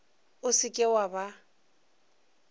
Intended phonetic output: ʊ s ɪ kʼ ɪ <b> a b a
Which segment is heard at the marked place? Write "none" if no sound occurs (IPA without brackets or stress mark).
w